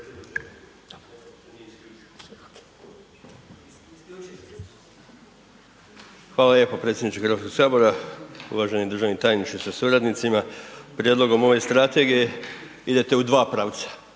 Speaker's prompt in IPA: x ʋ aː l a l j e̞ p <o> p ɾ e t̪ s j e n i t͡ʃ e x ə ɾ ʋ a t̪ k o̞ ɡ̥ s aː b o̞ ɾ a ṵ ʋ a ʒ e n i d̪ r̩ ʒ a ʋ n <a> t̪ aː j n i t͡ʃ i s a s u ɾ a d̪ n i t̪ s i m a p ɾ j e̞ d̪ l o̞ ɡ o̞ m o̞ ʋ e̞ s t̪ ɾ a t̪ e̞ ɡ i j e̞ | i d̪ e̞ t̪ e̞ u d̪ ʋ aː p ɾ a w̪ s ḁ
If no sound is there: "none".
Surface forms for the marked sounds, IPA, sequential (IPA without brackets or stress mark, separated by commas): o, i